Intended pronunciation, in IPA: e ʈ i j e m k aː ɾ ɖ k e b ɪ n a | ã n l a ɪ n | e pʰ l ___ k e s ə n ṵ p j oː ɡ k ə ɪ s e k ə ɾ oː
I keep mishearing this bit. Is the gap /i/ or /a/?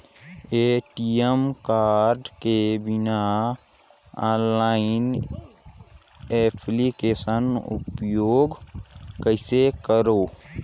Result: i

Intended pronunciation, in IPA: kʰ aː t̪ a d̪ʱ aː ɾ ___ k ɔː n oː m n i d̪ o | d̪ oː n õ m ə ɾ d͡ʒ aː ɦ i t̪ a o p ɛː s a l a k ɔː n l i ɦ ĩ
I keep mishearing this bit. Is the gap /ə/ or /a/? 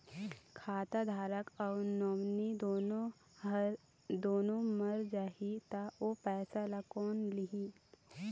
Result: ə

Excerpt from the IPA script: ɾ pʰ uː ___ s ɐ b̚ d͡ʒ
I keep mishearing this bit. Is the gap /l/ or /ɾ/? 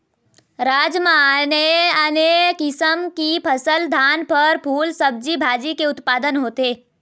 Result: l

